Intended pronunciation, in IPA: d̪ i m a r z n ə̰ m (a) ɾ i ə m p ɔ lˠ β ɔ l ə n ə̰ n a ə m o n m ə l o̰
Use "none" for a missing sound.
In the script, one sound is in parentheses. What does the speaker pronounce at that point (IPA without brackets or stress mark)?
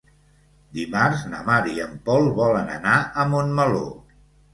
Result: a